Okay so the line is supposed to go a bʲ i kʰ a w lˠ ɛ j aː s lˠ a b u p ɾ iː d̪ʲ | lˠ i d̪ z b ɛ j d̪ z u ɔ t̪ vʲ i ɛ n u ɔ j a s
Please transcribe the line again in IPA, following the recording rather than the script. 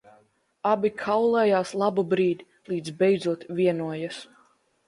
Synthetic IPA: a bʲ i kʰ a w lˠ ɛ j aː s lˠ a b u b ɾ iː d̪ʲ | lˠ iː d̪ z b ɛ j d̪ z u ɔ t̪ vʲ i ɛ n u ɔ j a s